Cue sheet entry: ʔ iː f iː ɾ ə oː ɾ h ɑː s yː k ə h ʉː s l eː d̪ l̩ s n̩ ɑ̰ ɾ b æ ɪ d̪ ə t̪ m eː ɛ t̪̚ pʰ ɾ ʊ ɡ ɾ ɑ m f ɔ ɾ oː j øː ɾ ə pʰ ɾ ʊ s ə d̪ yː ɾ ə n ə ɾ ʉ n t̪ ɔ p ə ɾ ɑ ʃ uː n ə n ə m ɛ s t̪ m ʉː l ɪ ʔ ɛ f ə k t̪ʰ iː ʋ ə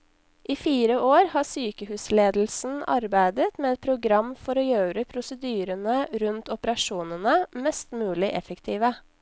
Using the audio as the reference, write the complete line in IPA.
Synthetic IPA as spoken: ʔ iː f iː ɾ ə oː ɾ h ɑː s yː k ə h ʉː s l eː d̪ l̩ s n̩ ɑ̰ ɾ b æ ɪ d̪ ə t̪ m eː ɛ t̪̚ pʰ ɾ ʊ ɡ ɾ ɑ m f ɔ ɾ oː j øː ɾ ə pʰ ɾ ʊ s ə d̪ yː ɾ ə n ə ɾ ʉ n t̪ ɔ p ə ɾ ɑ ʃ uː n ə n ə m ɛ s t̪ m ʉː l ɪ ʔ ɛ f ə k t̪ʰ iː ʋ ə

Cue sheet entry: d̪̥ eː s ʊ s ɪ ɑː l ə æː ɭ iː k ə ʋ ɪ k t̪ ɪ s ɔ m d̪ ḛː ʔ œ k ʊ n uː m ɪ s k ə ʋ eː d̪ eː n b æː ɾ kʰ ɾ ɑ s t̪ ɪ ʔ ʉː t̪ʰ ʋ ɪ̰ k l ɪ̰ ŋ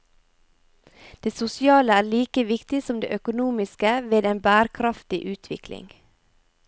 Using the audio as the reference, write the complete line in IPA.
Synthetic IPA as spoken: d̪̥ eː s ʊ s ɪ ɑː l ə æː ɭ iː k ə ʋ ɪ k t̪ ɪ s ɔ m d̪ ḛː ʔ œ k ʊ n uː m ɪ s k ə ʋ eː d̪ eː n b æː ɾ kʰ ɾ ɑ f t̪ ɪ ʔ ʉː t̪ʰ ʋ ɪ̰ k l ɪ̰ ŋ

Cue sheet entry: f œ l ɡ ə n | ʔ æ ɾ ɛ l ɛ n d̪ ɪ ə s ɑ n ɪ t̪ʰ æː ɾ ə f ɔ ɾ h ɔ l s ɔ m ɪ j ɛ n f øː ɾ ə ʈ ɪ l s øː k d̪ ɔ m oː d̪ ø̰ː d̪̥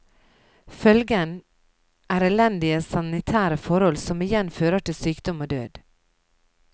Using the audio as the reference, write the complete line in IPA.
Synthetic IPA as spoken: f œ l ɡ ə n | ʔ æː ɾ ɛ l ɛ n d̪ ɪ ə s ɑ n ɪ t̪ʰ æː ɾ ə f ɔ ɾ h ɔ l s ɔ m ɪ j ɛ n f øː ɾ ə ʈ ɪ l s yː k d̪ ɔ m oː d̪ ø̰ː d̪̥

